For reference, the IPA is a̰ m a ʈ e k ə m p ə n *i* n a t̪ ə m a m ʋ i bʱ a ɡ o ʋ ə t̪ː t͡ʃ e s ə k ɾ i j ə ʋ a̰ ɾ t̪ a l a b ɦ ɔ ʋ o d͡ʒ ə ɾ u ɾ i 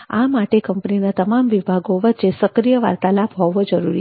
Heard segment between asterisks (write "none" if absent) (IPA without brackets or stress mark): i